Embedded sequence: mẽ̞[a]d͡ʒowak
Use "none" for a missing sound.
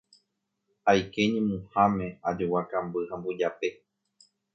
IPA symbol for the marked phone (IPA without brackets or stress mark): a